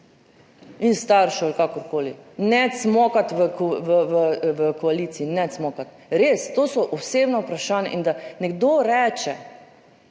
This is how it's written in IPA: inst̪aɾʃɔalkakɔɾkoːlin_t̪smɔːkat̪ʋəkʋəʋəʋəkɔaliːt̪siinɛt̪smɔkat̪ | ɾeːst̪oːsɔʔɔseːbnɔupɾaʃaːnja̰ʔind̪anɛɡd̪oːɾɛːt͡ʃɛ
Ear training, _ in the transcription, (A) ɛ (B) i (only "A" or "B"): A